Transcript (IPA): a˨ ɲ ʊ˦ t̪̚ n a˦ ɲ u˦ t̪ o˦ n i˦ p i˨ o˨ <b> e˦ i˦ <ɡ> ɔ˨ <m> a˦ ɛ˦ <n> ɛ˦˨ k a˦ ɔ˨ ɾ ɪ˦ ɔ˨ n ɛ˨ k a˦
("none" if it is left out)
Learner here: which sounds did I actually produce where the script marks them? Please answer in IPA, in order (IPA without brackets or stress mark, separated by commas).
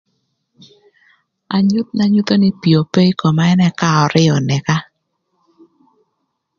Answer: p, k, m, n